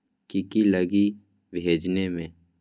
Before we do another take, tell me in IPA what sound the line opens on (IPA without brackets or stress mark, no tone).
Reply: k